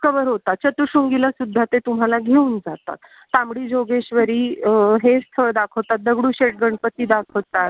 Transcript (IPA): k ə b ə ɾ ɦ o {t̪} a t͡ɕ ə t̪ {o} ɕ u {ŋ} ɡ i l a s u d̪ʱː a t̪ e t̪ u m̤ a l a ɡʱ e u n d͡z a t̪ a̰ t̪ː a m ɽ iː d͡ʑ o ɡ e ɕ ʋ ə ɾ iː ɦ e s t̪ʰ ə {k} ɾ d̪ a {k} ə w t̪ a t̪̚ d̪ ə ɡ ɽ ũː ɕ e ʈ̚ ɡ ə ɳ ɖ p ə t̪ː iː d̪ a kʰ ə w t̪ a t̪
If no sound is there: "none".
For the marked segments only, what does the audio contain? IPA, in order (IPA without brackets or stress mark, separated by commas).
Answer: t̪, u, ŋ, none, kʰ